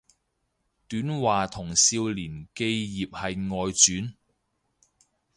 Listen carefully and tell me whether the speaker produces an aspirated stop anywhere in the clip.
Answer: yes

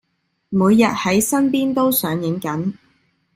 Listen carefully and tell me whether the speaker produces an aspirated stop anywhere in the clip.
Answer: no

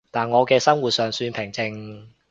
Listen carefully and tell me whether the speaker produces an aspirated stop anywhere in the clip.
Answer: yes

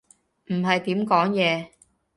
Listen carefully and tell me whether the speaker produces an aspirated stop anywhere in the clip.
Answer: no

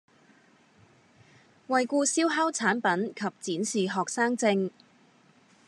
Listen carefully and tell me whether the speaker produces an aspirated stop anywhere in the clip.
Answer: yes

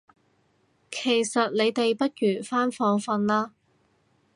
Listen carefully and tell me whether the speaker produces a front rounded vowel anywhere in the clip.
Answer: yes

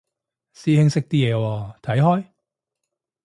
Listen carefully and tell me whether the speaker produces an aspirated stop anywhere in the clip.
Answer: yes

